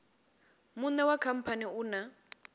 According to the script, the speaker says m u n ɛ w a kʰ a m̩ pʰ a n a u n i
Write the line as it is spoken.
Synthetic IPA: m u n ɛ w a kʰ a m̩ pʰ a n i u n a